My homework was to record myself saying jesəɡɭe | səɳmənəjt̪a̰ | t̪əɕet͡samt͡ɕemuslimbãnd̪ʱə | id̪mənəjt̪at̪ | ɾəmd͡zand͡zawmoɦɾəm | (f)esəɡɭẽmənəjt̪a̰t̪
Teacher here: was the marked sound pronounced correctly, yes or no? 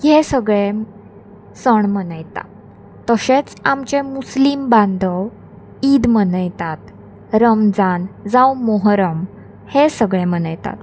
no